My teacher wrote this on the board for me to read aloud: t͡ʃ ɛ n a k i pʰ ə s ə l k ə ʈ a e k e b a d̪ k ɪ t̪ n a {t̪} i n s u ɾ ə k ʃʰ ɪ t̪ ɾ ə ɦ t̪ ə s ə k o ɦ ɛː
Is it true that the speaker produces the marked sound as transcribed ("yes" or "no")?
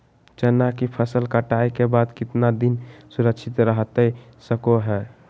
no